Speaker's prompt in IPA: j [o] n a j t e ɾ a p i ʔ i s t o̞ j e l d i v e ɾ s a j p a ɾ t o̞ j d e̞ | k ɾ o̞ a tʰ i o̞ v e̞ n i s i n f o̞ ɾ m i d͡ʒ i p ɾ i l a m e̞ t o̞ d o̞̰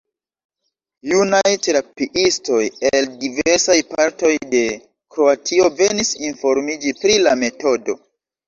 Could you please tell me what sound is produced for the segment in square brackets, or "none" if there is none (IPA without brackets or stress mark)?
u